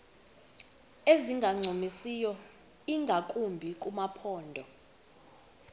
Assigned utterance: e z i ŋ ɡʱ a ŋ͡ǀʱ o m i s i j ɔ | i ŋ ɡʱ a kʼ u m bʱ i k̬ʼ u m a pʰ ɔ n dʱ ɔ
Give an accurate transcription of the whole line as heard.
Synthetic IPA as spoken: e z i ŋ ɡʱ a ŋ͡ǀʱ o m i s i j ɔ | i ŋ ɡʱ a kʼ u m bʱ i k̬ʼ u m a pʰ ɔː n dʱ ɔ